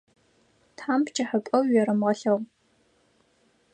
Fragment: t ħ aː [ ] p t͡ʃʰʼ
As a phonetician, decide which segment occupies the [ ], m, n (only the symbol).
m